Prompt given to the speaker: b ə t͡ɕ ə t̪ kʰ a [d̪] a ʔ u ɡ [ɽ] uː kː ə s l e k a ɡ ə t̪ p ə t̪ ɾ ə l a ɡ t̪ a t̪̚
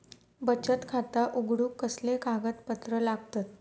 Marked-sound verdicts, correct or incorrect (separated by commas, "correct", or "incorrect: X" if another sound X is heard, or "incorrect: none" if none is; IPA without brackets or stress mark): incorrect: t̪, correct